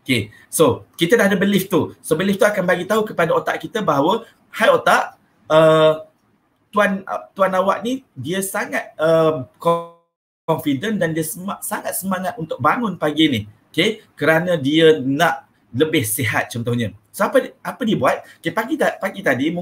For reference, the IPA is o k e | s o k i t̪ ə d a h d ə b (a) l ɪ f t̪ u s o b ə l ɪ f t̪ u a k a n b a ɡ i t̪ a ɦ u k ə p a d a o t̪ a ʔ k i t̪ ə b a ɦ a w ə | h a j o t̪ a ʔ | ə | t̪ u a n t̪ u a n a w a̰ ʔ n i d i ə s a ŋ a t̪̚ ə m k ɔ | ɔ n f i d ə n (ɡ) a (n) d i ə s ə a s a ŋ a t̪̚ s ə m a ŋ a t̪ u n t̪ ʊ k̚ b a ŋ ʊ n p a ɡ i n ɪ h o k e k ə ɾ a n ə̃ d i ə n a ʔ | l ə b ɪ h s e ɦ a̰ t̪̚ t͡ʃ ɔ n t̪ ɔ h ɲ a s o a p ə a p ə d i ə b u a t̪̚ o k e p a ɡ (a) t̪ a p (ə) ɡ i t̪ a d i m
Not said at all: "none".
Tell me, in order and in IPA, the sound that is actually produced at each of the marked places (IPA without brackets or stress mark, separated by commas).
ə, d, n, i, a